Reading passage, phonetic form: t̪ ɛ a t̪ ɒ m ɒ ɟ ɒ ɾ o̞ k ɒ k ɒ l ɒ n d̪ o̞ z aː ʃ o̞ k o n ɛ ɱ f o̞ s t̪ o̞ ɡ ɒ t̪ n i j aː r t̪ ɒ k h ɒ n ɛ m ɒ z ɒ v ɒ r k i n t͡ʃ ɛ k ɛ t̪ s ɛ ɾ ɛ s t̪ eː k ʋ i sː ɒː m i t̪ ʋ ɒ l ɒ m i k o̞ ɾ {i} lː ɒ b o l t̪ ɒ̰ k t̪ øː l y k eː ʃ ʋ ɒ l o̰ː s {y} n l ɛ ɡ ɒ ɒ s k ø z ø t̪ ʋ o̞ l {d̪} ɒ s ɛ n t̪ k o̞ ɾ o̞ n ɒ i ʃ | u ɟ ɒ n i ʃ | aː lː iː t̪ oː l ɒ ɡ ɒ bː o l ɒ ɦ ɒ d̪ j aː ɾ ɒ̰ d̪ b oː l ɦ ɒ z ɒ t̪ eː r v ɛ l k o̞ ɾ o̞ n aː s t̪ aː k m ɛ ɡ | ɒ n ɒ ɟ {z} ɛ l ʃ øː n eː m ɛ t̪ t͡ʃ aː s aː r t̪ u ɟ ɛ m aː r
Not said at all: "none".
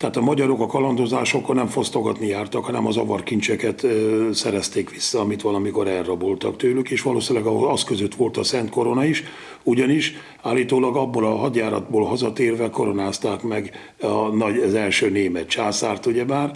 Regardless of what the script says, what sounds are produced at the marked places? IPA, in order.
ɛ, i, t̪, z

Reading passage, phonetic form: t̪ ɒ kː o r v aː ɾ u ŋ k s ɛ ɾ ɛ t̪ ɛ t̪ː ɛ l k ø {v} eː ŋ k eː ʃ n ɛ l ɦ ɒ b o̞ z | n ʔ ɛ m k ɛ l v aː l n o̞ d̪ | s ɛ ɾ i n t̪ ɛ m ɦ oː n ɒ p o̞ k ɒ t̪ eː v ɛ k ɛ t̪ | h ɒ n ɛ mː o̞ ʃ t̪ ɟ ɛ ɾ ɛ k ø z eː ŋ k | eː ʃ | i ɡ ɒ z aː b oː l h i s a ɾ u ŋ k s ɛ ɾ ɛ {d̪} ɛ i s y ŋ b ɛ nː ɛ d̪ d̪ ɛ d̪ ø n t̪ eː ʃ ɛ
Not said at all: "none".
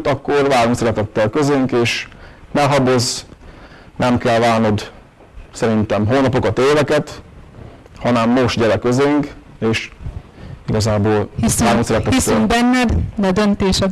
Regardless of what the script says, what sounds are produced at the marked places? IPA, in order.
z, t̪

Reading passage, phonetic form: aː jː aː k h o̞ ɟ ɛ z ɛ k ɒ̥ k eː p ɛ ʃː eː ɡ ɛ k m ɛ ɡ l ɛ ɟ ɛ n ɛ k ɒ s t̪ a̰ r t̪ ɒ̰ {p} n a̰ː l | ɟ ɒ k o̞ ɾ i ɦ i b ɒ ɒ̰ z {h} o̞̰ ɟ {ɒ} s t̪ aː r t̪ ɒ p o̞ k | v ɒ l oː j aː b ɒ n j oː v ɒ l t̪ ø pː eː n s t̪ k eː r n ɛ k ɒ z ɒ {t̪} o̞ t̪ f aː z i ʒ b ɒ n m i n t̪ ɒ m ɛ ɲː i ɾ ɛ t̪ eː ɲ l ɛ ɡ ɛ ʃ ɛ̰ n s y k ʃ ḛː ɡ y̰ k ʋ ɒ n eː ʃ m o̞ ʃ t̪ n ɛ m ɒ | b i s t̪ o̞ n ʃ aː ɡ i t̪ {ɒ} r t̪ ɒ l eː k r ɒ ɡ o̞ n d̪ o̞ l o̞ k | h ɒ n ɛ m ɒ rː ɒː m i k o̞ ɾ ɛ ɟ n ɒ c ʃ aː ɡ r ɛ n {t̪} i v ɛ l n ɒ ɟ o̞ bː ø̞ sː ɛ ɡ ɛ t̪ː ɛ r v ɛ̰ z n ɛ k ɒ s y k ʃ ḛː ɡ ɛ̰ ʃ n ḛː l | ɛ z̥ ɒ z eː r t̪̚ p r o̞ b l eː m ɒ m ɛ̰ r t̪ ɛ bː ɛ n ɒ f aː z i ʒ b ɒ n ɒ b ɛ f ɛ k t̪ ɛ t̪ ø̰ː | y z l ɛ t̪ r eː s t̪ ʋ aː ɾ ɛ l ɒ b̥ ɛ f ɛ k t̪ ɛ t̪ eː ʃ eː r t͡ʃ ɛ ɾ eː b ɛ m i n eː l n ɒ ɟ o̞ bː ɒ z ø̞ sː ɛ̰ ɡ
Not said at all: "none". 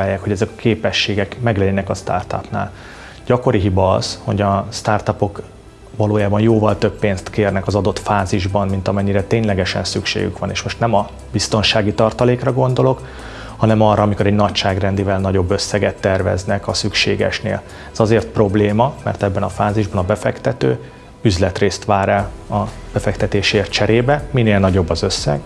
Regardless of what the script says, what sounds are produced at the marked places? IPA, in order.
p, h, ɒ, d̪, ɒ, d̪

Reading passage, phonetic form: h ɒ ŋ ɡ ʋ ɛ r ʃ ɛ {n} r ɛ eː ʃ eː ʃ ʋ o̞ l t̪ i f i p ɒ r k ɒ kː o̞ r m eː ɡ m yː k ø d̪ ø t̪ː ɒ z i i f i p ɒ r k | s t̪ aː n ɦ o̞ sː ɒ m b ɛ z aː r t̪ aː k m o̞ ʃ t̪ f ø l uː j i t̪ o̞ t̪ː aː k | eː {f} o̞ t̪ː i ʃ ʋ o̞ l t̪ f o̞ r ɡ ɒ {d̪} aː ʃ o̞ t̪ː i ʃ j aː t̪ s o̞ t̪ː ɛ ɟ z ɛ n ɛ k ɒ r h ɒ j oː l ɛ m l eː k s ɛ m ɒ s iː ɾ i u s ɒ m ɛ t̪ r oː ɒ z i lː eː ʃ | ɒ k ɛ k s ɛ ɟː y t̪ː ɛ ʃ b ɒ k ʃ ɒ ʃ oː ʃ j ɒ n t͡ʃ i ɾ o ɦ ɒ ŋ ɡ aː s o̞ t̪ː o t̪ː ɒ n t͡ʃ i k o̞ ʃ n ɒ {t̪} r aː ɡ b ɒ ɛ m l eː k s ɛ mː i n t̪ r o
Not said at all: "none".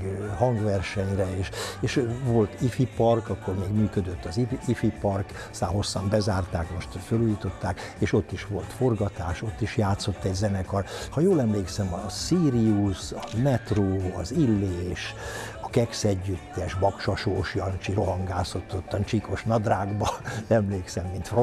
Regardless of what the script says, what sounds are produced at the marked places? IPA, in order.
ɲ, ʃ, t̪, d̪

